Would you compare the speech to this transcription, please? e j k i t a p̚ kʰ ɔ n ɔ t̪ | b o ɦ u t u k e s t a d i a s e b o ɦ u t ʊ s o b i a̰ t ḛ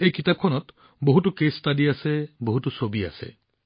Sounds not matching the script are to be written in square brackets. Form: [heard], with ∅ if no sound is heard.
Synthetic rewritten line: e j k i t a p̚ kʰ ɔ n ɔ t̪ | b o ɦ u t u k e s t a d i a s e b o ɦ u t [u] s o b i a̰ [s] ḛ

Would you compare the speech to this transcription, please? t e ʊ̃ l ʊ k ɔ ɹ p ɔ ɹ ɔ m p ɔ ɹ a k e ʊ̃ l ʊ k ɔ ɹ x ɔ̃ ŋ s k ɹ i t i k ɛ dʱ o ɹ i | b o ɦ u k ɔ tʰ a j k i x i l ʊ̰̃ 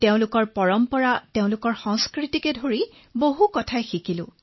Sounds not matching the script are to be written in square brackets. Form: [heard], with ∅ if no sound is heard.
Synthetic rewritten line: t e ʊ̃ l ʊ k ɔ ɹ p ɔ ɹ ɔ m p ɔ ɹ a [t] e ʊ̃ l ʊ k ɔ ɹ x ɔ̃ ŋ s k ɹ i t i k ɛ dʱ o ɹ i | b o ɦ u k ɔ tʰ a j [x] i [k] i l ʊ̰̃

